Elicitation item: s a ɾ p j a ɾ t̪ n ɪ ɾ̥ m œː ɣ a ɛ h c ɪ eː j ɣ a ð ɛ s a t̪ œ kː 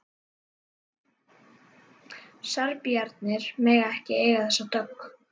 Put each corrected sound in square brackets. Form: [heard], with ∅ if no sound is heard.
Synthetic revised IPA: s a ɾ p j a ɾ t̪ n ɪ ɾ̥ m [ɛː] ɣ a ɛ h c ɪ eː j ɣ a [θ] ɛ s a t̪ œ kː